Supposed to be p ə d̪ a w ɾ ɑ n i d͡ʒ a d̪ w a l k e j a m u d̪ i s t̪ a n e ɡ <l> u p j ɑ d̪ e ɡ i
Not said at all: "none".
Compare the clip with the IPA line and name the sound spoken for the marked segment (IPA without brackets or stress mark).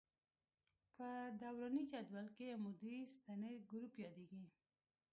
ɾ